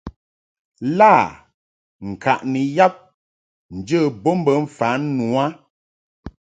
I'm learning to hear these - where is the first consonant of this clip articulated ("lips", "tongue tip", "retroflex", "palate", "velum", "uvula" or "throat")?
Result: tongue tip